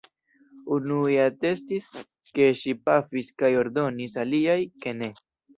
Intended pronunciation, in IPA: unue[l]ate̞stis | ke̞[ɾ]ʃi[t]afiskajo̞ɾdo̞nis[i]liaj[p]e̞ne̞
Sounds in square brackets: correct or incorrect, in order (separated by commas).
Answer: incorrect, incorrect, incorrect, incorrect, incorrect